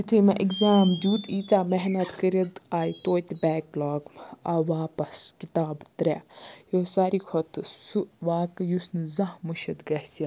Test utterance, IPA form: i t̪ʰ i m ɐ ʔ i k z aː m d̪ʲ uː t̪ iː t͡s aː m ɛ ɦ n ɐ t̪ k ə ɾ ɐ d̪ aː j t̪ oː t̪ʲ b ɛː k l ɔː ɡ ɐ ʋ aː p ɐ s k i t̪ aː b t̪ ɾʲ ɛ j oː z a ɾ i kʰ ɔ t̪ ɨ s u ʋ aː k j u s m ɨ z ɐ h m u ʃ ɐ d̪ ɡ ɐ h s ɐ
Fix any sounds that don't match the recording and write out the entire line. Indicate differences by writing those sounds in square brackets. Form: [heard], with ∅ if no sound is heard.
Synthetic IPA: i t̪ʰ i m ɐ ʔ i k z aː m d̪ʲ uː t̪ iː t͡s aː m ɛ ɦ n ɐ t̪ k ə ɾ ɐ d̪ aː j t̪ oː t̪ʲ b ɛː k l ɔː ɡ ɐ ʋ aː p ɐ s k i t̪ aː b t̪ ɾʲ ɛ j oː [s] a ɾ i kʰ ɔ t̪ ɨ s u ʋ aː k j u s [n] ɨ z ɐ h m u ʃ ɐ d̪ ɡ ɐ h s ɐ